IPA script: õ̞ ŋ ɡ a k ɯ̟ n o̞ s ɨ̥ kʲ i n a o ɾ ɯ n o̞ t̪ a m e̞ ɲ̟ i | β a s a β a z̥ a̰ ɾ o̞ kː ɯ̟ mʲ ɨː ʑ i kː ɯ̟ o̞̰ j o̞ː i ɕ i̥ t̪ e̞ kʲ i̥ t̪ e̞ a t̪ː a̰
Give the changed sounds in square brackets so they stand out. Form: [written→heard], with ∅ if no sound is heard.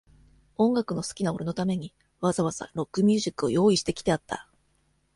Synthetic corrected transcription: õ̞ ŋ ɡ a k ɯ̟ n o̞ s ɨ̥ kʲ i n a o ɾ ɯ n o̞ t̪ a m e̞ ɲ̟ i | β a [s→z] a β a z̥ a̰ ɾ o̞ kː ɯ̟ mʲ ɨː ʑ i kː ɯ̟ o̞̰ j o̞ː i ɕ i̥ t̪ e̞ kʲ i̥ t̪ e̞ a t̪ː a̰